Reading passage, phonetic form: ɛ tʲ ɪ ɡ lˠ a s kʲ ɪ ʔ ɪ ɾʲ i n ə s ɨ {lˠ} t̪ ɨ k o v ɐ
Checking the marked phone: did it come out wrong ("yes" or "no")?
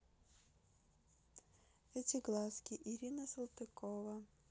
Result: no